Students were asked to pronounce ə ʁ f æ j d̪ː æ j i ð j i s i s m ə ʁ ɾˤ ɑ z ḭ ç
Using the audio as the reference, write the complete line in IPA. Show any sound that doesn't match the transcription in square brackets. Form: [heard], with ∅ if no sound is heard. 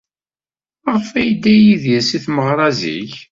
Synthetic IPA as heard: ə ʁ f æ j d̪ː æ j i ð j [æ] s i [θ] m ə ʁ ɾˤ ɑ z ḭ ç